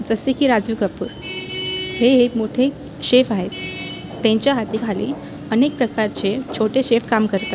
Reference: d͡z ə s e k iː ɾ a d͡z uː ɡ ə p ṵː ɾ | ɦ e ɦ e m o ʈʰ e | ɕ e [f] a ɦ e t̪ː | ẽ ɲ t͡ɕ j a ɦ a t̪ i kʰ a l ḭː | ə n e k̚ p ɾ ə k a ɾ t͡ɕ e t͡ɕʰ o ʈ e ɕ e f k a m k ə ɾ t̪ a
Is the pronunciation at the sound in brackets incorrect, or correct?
correct